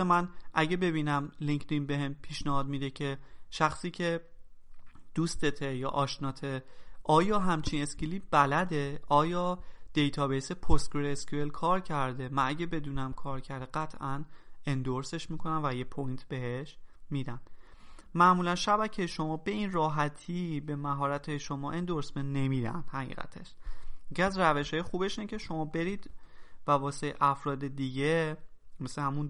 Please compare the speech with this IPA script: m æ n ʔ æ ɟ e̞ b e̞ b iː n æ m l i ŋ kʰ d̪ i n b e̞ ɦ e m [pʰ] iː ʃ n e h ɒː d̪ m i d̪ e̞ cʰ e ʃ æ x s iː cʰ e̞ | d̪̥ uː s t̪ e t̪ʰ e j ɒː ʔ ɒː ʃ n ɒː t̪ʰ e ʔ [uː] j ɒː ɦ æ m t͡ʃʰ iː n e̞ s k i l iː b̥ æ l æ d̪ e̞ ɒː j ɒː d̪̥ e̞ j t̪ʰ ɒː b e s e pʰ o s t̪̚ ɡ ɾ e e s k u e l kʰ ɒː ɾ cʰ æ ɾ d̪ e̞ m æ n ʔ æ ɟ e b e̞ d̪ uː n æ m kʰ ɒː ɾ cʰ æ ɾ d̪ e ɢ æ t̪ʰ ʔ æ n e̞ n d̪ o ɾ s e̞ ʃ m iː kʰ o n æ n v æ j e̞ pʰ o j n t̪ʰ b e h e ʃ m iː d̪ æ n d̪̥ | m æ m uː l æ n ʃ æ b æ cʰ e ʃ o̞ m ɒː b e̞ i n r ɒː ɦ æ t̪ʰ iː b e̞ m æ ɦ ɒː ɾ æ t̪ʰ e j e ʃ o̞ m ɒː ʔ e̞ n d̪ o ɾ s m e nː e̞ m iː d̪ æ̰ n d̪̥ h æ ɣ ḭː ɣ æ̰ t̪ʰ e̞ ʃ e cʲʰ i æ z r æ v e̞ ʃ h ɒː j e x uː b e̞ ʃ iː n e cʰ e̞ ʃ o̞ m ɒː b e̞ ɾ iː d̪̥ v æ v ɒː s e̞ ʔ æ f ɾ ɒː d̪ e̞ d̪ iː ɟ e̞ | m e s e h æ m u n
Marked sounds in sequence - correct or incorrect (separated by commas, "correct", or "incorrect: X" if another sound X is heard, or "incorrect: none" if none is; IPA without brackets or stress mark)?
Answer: correct, incorrect: ɒː